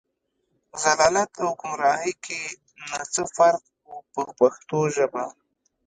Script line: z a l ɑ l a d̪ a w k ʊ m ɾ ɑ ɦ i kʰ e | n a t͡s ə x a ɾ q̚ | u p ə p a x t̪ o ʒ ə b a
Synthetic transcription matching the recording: z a l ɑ l a t̪ a w k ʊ m ɾ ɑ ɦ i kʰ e | n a t͡s ə f a ɾ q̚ | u p ə p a x t̪ o ʒ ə b a